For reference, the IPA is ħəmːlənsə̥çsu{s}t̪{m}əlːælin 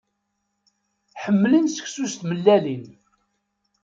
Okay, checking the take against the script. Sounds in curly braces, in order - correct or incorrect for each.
correct, correct

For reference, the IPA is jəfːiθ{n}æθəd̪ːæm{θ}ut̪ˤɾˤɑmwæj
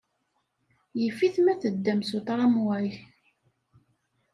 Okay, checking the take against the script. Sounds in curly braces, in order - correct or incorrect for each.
incorrect, incorrect

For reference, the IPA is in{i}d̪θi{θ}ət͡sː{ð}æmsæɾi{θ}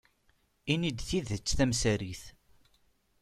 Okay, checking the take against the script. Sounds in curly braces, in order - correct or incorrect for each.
correct, incorrect, incorrect, correct

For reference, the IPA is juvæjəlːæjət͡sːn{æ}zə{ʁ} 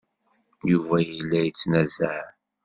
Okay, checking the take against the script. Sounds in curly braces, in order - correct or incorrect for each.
correct, incorrect

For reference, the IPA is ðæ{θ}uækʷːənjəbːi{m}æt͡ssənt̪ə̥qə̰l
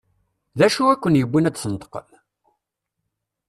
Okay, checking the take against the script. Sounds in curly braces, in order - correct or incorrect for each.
incorrect, incorrect

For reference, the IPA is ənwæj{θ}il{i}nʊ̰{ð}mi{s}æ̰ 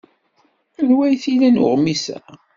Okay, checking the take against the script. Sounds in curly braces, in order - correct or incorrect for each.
correct, incorrect, incorrect, correct

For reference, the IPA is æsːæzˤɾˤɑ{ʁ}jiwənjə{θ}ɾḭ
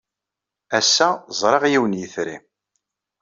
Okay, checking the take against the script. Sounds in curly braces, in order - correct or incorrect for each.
correct, correct

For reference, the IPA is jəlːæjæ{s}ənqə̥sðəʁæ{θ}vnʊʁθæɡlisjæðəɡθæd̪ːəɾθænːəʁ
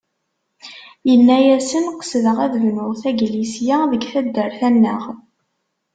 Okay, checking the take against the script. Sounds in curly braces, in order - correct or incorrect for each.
correct, incorrect

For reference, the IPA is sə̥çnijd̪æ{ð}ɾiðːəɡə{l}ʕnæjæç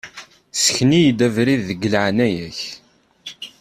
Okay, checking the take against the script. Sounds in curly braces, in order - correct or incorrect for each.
incorrect, correct

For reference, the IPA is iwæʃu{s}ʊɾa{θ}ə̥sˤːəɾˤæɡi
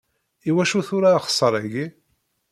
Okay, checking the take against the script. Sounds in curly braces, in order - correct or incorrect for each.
incorrect, incorrect

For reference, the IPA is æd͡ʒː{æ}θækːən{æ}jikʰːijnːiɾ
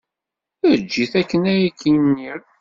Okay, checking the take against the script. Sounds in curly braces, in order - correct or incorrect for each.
incorrect, correct

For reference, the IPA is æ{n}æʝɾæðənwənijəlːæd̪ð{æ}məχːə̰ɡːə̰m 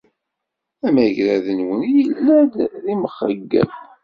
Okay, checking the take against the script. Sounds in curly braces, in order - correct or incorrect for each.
incorrect, incorrect

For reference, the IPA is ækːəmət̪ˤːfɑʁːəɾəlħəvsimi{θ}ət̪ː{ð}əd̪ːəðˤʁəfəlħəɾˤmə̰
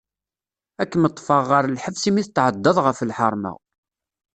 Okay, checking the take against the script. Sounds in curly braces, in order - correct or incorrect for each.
correct, incorrect

